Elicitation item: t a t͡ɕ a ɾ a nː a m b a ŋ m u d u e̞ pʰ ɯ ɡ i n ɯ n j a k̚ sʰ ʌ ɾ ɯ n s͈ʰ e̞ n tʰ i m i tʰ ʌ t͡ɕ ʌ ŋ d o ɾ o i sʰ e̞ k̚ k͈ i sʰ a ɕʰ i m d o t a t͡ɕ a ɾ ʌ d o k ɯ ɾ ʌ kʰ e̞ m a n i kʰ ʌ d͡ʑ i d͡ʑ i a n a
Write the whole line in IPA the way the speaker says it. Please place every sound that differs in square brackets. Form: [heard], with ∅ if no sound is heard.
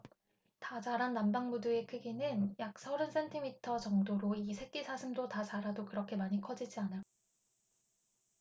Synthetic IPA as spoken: t a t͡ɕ a ɾ a nː a m b a ŋ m u d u e̞ [kʰ] ɯ ɡ i n ɯ n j a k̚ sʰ ʌ ɾ ɯ n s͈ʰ e̞ n tʰ i m i tʰ ʌ t͡ɕ ʌ ŋ d o ɾ o i sʰ e̞ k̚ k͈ i sʰ a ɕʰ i m d o t a t͡ɕ a ɾ [a] d o k ɯ ɾ ʌ kʰ e̞ m a [ɲ] i kʰ ʌ d͡ʑ i d͡ʑ i a n a